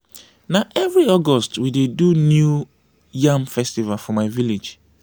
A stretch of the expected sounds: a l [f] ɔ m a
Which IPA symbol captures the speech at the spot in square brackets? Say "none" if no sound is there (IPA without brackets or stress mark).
f